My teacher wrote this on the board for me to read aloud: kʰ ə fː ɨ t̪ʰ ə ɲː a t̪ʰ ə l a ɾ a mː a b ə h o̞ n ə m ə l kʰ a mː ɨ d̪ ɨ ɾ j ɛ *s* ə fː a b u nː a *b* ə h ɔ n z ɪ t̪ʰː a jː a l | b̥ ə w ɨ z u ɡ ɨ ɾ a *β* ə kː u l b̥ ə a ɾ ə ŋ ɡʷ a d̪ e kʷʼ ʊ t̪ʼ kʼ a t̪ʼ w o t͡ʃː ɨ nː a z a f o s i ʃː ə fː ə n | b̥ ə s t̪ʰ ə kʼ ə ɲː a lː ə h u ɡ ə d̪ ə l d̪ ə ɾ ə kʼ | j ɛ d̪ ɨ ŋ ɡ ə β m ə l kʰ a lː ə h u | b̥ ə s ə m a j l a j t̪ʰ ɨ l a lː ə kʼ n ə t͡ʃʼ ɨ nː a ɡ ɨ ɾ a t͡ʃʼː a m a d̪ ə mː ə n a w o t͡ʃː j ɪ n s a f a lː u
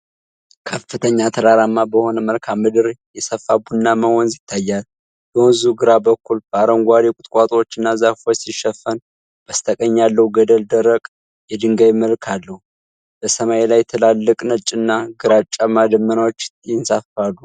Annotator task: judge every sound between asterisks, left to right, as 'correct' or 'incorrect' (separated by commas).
correct, incorrect, incorrect